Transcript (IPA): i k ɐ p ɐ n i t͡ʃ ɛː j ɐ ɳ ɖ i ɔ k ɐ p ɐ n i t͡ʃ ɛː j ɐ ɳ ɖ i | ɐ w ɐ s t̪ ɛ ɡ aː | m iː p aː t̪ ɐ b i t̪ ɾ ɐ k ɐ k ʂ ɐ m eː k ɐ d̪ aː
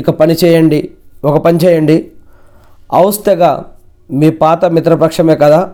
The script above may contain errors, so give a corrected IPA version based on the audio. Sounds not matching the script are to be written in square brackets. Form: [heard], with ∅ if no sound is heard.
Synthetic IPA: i k ɐ p ɐ n i t͡ʃ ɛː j ɐ ɳ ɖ i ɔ k ɐ p ɐ n i t͡ʃ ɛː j ɐ ɳ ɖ i | ɐ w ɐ s t̪ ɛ ɡ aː | m iː p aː t̪ ɐ [m] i t̪ ɾ ɐ [p] ɐ k ʂ ɐ m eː k ɐ d̪ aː